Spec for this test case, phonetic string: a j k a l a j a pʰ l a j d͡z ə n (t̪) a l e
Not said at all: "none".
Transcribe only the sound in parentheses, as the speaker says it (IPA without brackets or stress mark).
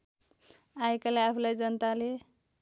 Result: t̪